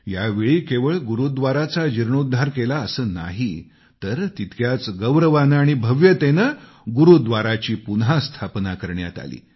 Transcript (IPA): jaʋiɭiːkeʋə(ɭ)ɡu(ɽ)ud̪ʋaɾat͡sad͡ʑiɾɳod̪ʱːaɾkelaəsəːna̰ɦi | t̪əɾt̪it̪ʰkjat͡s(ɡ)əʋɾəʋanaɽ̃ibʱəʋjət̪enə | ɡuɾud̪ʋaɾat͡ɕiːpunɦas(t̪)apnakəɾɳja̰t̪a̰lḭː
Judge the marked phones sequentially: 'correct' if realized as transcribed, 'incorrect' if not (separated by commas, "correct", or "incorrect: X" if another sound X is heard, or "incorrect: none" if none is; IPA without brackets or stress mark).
correct, incorrect: ɾ, correct, incorrect: t̪ʰ